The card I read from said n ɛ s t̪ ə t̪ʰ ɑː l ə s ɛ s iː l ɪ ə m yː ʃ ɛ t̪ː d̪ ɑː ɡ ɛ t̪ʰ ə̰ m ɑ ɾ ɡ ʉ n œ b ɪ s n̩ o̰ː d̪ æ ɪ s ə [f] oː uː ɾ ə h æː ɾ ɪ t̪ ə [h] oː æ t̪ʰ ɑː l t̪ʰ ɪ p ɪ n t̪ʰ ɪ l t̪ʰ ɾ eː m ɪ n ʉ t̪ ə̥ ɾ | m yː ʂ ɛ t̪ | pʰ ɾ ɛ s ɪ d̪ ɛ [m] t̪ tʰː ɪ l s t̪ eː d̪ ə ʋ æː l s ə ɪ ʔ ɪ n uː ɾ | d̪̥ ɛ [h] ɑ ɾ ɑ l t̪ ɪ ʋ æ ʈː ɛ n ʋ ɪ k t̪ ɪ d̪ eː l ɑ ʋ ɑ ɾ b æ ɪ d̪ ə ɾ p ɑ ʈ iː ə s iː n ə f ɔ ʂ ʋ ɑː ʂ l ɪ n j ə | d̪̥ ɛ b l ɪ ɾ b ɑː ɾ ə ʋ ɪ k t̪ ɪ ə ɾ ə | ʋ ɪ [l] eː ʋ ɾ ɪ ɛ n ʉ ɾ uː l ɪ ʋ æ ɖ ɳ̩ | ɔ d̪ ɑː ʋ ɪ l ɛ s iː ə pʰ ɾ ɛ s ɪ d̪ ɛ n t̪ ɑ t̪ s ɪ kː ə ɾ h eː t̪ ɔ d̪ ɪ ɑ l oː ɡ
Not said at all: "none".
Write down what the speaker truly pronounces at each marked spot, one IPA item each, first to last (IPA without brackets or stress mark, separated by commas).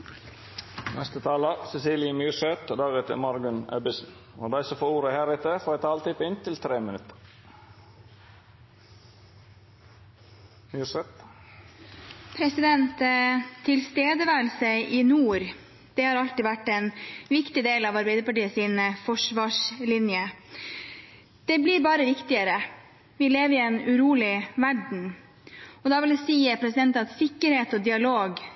f, f, n, h, l